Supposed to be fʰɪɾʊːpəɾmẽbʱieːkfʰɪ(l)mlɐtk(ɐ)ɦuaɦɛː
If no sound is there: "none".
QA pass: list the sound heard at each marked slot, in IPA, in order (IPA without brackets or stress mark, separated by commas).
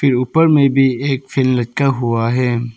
l, a